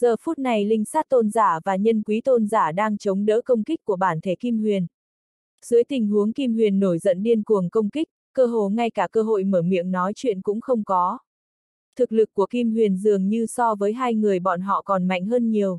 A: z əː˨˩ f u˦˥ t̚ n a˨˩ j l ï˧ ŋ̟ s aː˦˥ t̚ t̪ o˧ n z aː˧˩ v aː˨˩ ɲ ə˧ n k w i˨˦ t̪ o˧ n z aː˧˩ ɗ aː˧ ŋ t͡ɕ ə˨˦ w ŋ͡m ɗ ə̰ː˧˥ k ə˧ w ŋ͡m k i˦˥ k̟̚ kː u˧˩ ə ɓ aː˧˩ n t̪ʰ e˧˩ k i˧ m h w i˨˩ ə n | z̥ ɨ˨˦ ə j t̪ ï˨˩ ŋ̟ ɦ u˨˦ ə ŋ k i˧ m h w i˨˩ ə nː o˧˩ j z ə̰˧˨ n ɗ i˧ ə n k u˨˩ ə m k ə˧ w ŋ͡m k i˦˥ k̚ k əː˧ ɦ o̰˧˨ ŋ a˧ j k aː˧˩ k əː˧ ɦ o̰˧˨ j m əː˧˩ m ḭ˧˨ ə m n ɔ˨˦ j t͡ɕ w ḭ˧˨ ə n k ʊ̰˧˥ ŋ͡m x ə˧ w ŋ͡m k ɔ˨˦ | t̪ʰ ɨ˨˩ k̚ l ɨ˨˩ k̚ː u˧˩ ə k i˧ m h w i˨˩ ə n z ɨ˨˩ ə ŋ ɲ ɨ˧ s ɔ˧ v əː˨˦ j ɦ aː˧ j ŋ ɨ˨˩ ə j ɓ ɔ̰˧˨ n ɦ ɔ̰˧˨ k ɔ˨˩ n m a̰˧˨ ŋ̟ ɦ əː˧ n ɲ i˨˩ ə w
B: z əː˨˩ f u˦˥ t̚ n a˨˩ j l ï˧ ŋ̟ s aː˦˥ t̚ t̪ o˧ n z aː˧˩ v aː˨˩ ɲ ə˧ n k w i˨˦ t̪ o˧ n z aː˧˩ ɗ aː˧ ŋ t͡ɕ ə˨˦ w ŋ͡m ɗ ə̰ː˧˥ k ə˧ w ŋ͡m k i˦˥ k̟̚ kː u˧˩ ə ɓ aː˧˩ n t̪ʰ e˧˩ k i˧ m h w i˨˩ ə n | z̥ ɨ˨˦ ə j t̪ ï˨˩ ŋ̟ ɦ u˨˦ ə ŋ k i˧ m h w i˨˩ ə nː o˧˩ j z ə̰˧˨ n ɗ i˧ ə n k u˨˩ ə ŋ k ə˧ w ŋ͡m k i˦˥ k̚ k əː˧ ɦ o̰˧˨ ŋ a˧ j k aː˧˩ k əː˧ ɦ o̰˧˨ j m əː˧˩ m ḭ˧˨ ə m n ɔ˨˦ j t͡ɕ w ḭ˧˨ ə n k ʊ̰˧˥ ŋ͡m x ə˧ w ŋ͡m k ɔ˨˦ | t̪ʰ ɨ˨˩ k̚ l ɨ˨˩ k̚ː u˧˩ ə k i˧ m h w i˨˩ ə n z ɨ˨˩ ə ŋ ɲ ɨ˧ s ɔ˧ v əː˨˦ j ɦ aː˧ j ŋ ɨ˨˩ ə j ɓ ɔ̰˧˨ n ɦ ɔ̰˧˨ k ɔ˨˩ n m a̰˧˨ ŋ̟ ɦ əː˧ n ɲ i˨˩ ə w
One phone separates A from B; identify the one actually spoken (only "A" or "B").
B